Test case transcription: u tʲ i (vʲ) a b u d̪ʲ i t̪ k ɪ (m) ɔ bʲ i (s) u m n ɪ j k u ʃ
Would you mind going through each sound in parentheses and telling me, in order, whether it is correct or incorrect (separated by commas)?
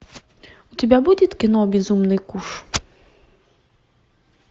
incorrect, incorrect, incorrect